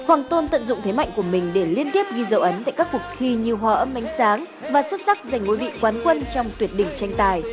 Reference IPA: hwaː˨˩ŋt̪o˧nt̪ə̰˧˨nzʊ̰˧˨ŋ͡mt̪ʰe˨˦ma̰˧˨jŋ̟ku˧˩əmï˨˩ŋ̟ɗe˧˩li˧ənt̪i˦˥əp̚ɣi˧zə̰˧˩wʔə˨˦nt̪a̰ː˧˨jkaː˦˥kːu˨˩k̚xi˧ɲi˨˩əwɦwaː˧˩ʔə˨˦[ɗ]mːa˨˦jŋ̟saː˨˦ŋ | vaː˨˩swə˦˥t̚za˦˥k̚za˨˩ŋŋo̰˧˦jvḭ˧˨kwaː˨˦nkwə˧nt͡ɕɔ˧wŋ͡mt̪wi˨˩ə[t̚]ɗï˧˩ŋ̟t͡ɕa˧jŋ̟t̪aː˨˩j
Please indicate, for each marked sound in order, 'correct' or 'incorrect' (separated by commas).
incorrect, correct